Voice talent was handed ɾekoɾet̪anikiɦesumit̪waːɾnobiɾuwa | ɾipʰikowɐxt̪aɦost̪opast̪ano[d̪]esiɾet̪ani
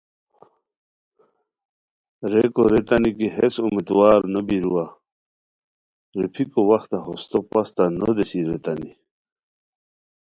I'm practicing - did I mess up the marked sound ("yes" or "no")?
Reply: no